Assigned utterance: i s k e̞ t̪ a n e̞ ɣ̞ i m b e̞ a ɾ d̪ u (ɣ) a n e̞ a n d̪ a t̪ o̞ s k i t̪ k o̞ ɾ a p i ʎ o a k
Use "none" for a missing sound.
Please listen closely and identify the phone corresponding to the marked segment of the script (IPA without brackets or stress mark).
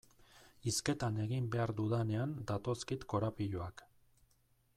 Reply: ð